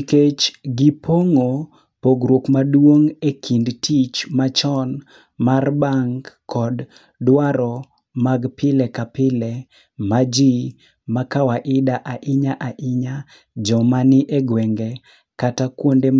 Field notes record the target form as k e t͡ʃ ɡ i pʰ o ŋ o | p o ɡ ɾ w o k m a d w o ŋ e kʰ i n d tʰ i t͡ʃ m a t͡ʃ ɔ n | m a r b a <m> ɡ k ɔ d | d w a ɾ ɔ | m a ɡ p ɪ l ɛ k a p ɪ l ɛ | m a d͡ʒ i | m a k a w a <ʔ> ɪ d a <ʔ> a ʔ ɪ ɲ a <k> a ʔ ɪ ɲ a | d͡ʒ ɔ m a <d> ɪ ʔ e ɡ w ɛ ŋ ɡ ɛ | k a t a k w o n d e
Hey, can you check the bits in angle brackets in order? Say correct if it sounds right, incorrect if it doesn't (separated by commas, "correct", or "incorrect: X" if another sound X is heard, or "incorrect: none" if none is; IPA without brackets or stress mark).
incorrect: ŋ, correct, correct, incorrect: ʔ, incorrect: n